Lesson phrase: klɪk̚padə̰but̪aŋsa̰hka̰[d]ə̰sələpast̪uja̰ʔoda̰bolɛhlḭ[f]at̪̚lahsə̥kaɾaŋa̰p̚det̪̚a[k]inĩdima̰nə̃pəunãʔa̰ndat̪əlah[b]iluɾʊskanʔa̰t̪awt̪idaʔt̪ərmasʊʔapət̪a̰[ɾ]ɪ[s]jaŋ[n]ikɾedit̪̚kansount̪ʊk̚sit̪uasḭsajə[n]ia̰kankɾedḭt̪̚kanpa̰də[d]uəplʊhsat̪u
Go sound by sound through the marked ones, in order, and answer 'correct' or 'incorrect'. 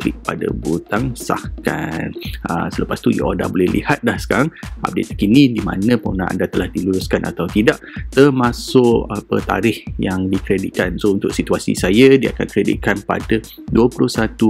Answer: incorrect: n, incorrect: h, correct, incorrect: d, correct, incorrect: h, incorrect: d, incorrect: d, correct

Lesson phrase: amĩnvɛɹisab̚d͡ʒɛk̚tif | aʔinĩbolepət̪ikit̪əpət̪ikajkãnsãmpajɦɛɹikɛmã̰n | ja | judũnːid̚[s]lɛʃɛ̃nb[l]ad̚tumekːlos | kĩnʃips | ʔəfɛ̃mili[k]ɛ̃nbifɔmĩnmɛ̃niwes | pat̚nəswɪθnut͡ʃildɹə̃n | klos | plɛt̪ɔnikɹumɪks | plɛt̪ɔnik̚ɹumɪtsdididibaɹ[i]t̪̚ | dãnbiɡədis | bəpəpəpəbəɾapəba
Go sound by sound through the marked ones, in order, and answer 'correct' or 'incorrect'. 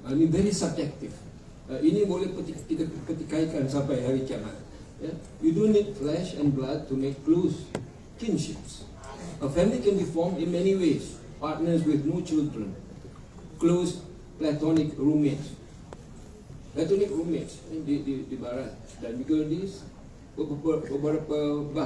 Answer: incorrect: f, correct, correct, incorrect: a

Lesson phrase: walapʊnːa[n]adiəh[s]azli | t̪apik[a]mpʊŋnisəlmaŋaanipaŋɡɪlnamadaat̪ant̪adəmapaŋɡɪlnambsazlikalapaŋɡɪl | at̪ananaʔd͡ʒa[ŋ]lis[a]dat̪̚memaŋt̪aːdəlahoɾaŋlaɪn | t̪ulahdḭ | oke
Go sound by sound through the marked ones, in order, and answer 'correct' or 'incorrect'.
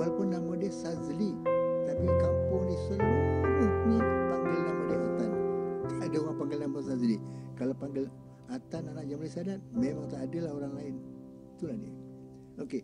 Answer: incorrect: m, correct, correct, incorrect: m, correct

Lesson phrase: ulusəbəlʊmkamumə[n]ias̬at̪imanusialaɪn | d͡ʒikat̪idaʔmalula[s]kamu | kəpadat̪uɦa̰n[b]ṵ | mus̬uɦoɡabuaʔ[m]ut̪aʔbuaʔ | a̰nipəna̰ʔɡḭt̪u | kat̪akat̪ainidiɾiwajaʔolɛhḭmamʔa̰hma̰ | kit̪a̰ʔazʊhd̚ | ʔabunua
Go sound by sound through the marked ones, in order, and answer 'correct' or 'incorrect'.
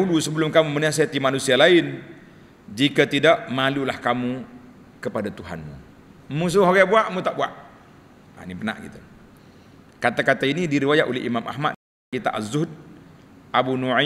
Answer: correct, incorrect: h, incorrect: m, correct

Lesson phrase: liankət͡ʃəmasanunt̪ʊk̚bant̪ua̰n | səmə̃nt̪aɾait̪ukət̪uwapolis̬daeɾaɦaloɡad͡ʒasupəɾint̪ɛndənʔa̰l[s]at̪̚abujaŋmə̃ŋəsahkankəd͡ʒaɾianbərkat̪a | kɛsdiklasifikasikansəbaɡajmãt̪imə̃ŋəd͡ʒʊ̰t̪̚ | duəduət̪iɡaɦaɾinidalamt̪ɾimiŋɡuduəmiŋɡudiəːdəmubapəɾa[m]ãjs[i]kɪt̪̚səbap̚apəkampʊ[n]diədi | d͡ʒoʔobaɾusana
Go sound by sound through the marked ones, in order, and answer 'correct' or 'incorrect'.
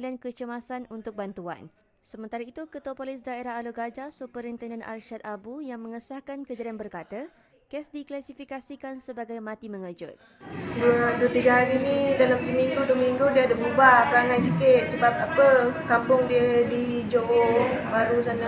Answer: incorrect: ʃ, incorrect: ŋ, correct, incorrect: ŋ

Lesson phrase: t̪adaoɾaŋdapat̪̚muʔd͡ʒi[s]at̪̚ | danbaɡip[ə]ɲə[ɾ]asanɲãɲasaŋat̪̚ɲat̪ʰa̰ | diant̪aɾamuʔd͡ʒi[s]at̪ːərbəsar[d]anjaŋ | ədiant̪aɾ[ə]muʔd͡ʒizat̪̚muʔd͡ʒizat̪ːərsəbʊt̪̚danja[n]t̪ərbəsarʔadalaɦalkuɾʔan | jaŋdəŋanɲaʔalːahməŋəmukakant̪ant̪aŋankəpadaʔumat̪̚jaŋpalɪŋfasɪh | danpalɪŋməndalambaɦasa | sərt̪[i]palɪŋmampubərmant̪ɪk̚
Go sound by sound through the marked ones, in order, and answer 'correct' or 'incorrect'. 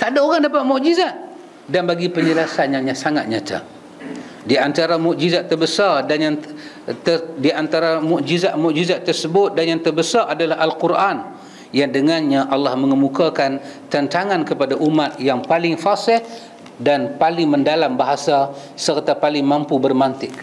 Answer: incorrect: z, correct, incorrect: l, incorrect: z, correct, incorrect: a, incorrect: ŋ, incorrect: a

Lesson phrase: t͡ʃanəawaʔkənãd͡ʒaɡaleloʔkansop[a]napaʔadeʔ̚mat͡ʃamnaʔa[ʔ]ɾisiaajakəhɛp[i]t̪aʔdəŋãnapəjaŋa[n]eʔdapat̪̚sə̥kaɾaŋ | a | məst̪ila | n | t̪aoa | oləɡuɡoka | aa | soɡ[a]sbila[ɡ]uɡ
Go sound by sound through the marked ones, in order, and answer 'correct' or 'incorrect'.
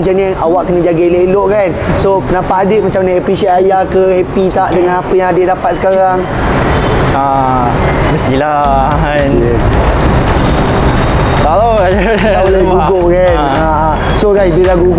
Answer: incorrect: ə, incorrect: p, correct, incorrect: d, correct, correct

